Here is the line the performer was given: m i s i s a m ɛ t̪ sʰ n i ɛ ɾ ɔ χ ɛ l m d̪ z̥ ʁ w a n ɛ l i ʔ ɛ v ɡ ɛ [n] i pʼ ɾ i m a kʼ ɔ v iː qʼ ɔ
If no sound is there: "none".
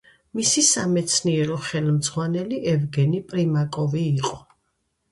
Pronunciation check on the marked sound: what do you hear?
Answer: n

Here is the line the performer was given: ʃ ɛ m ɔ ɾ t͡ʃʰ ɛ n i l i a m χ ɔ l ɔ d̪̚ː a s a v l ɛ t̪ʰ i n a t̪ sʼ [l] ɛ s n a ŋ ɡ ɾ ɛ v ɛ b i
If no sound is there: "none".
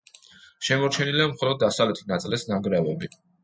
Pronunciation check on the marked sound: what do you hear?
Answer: l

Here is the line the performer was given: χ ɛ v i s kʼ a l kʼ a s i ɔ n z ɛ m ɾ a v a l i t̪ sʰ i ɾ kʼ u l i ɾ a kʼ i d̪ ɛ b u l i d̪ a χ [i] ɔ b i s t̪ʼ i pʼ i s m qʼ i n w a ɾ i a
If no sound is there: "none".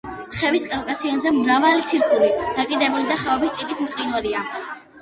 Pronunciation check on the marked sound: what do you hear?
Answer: ɛ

